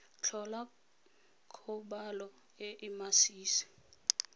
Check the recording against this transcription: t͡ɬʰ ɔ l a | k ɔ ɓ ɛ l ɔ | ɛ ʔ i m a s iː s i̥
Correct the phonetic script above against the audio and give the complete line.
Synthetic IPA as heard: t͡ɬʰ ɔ l a | kʰ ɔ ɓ a l ɔ | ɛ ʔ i m a s iː s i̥